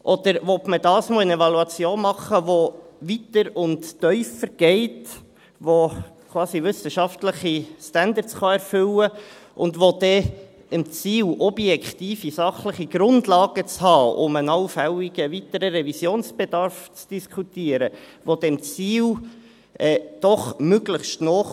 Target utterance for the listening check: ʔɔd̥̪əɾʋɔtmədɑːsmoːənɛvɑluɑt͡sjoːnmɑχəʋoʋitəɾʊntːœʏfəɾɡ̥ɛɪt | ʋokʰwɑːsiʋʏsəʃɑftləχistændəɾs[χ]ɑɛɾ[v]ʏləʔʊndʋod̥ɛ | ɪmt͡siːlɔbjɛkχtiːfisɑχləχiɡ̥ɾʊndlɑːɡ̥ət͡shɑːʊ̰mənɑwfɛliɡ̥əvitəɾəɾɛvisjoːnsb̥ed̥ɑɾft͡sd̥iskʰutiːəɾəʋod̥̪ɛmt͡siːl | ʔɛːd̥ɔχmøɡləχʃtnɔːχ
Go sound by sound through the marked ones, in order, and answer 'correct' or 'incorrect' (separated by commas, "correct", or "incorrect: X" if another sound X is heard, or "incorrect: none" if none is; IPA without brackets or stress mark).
correct, incorrect: f